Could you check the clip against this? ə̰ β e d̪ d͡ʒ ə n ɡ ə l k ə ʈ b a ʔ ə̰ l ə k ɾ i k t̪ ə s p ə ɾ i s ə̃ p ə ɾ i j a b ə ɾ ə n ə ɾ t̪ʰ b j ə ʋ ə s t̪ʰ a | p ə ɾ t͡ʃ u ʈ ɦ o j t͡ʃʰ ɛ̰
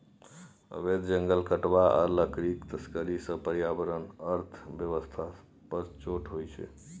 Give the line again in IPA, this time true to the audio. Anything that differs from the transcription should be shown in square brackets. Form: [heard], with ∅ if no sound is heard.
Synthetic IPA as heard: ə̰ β e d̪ d͡ʒ ə [ŋ] ɡ ə l k ə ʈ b a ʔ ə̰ l ə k ɾ i k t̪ ə s [k] ə ɾ i s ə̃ p ə ɾ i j a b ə ɾ ə n ə ɾ t̪ʰ b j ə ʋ ə s t̪ʰ a | p ə ɾ t͡ʃ [o] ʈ ɦ o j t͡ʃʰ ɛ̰